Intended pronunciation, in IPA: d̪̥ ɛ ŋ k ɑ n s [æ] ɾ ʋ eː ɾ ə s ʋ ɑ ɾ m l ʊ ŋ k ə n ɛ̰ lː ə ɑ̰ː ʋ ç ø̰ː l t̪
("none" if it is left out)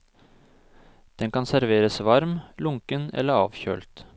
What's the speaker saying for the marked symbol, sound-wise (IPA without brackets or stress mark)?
æ